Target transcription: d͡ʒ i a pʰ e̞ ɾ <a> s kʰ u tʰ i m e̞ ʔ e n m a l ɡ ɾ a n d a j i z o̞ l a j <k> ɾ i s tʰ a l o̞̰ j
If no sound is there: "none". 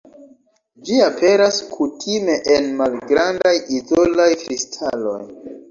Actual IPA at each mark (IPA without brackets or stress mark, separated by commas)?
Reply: a, k